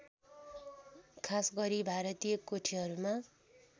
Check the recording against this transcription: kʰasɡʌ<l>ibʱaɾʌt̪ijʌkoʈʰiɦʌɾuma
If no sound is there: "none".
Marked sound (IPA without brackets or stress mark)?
ɾ